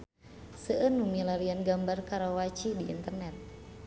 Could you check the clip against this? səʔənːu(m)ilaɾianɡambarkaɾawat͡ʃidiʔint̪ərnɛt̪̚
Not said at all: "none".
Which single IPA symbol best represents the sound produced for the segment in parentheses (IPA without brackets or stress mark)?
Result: m